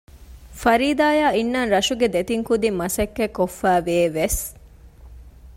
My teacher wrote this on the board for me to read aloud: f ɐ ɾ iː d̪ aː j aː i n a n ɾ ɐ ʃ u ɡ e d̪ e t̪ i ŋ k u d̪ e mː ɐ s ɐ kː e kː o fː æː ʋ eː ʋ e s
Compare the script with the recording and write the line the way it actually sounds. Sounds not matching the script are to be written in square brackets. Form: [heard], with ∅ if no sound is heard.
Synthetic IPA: f ɐ ɾ iː d̪ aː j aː i [nː] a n ɾ ɐ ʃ u ɡ e d̪ e t̪ i ŋ k u d̪ [i] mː ɐ s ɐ kː e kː o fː æː ʋ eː ʋ e s